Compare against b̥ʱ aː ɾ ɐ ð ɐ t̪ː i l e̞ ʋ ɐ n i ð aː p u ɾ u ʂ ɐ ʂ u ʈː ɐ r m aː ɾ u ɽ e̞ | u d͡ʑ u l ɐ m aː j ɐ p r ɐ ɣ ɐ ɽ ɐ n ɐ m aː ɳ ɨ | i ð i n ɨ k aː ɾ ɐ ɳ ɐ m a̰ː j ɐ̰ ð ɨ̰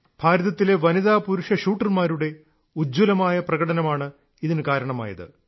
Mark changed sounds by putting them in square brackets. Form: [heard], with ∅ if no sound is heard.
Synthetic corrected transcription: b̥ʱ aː ɾ ɐ ð ɐ t̪ː i l e̞ ʋ ɐ n i ð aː p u ɾ u ʂ ɐ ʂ [uː] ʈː ɐ r m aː ɾ u ɽ e̞ | u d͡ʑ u l ɐ m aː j ɐ p r ɐ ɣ ɐ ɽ ɐ n ɐ m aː ɳ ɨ | i ð i n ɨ k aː ɾ ɐ ɳ ɐ m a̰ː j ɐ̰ ð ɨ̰